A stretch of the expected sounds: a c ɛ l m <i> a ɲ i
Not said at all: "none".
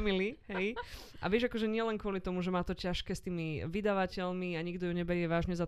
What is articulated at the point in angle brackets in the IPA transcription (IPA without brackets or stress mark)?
i